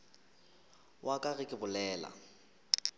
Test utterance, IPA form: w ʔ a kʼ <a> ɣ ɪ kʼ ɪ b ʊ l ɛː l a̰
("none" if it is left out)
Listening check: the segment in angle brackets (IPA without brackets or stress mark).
a